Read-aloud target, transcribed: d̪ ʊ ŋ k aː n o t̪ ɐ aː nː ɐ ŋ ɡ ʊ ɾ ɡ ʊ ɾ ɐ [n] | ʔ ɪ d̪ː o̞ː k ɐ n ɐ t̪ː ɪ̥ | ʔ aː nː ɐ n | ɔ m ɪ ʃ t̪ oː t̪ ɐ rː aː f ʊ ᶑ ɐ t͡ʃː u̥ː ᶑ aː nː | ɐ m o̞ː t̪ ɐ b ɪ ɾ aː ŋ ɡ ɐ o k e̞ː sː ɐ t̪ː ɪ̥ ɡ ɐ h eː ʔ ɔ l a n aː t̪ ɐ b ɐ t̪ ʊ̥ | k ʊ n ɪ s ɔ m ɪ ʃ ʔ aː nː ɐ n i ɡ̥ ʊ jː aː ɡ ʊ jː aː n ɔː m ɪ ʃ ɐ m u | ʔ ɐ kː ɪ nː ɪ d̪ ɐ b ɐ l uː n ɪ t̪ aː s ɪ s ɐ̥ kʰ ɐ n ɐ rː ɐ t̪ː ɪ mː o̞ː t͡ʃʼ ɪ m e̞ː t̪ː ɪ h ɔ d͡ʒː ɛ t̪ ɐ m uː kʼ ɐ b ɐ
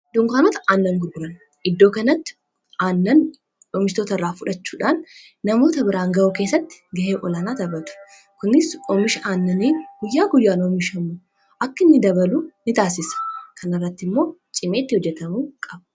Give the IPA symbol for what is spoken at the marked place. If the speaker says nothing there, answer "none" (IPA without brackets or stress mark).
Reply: n